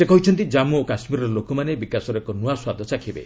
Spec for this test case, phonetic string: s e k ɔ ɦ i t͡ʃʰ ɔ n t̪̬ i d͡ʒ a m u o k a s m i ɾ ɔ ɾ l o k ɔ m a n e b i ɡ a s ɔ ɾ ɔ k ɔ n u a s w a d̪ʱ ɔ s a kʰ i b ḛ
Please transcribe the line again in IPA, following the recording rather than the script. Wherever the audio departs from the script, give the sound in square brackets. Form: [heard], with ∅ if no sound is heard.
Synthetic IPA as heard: s e k ɔ ɦ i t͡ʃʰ ɔ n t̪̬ i d͡ʒ a m u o k a s m i ɾ ɔ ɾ l o k ɔ m a n e b i [k] a s ɔ ɾ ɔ k ɔ n u a s w a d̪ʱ ɔ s a kʰ i b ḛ